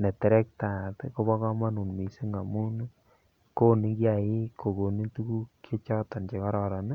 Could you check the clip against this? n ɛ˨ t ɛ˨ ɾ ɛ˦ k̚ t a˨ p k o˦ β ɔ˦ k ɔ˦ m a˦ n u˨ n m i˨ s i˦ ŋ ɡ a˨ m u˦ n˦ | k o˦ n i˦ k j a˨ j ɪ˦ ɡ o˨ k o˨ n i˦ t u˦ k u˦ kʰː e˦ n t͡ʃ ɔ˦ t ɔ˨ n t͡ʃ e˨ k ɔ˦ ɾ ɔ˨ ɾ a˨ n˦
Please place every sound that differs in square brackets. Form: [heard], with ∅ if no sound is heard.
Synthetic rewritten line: n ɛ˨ t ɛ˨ ɾ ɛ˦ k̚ t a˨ [t] k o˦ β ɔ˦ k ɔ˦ m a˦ n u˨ n m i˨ s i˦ ŋ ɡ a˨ m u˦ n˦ | k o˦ n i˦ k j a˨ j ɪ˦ [k] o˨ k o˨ n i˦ t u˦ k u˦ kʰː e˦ [∅] t͡ʃ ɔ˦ t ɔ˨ n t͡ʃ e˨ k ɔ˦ ɾ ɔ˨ ɾ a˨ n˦